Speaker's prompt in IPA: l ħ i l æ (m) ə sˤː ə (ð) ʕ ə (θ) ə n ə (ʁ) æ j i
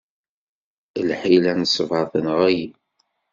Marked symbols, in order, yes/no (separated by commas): no, no, yes, yes